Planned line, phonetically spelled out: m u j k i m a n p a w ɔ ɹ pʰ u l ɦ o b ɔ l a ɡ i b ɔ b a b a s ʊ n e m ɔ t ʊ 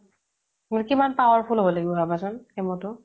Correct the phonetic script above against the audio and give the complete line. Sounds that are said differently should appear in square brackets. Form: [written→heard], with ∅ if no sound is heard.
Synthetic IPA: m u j k i m a n p a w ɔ ɹ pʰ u l ɦ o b ɔ l a ɡ i b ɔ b a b a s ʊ n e m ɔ t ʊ